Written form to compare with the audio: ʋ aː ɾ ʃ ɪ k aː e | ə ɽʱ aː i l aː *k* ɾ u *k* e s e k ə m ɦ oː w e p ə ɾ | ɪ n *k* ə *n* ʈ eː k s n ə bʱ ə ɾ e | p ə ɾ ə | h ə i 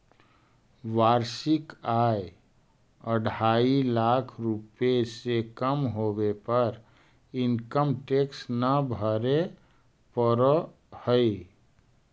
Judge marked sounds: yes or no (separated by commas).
no, no, yes, no